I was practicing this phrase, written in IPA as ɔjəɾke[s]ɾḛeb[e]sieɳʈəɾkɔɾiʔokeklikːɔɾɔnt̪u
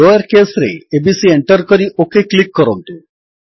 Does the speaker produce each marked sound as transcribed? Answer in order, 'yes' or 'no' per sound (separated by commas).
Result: yes, no